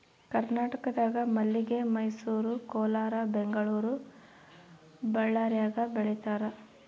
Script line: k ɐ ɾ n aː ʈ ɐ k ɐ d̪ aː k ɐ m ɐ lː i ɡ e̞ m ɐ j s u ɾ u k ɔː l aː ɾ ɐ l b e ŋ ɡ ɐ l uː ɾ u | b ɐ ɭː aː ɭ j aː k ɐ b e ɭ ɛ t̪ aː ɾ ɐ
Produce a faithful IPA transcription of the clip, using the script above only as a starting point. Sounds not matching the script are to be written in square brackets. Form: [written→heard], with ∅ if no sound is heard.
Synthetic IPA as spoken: k ɐ ɾ n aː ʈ ɐ k ɐ d̪ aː [k→ɡ] ɐ m ɐ lː i ɡ e̞ m ɐ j s [u→uː] ɾ u k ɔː l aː ɾ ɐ [l→∅] b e ŋ ɡ ɐ [l→ɭ] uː ɾ u | b ɐ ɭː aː [ɭ→ɾ] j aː [k→ɡ] ɐ b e ɭ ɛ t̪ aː ɾ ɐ